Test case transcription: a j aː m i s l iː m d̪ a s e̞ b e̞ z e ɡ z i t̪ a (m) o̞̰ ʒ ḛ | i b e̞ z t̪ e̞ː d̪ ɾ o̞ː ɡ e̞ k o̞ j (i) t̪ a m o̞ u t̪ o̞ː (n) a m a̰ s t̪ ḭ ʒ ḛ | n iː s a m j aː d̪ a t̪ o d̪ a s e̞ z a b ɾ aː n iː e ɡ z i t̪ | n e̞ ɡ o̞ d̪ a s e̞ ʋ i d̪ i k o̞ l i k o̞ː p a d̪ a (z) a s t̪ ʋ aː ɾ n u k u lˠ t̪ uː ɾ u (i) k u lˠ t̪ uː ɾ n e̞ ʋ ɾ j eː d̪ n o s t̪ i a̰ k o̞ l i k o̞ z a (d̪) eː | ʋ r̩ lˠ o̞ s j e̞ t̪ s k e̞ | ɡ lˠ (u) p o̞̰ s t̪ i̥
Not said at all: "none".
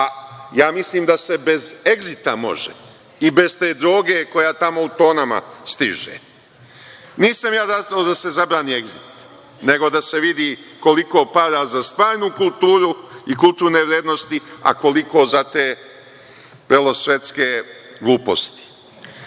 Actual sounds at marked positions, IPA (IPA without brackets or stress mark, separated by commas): m, a, n, z, i, t̪, uː